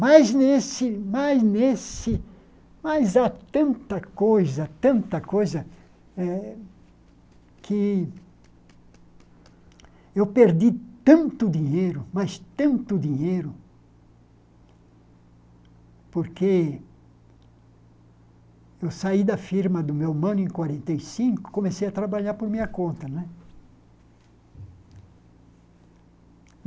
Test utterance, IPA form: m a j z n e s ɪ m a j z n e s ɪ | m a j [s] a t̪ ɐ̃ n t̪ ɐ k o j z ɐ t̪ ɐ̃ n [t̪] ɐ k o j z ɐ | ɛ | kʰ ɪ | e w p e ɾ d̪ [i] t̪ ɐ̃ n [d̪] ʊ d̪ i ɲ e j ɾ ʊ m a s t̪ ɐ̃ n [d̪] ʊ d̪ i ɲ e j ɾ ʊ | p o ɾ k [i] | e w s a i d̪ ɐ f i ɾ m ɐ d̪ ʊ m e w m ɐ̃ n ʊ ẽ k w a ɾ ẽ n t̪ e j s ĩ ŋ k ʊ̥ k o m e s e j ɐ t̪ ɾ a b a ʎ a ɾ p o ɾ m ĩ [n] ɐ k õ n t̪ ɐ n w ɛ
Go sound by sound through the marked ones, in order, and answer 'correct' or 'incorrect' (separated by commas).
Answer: incorrect, correct, correct, incorrect, incorrect, incorrect, incorrect